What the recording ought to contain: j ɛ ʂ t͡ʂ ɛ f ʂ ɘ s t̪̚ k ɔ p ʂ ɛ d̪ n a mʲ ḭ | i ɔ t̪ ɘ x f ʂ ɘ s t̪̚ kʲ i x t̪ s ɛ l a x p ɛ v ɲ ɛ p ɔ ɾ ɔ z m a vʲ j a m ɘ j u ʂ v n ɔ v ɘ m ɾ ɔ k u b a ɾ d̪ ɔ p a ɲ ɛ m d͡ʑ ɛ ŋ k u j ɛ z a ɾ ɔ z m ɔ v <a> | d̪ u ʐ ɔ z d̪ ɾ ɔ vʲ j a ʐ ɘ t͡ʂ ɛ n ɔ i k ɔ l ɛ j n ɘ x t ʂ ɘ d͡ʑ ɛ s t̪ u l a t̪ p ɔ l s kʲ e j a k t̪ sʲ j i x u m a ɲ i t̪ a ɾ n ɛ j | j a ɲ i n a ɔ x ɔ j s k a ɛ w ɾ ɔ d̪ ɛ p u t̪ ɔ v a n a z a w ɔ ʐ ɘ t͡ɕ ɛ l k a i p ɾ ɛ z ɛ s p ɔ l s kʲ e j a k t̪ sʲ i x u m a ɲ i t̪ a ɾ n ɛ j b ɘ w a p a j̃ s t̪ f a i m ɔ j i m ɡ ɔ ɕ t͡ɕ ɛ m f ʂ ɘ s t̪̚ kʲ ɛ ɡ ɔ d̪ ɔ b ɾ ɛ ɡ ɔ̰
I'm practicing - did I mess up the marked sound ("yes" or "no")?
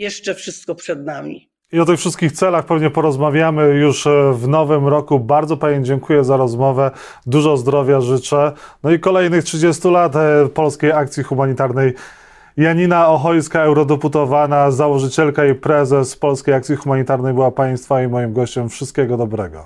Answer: yes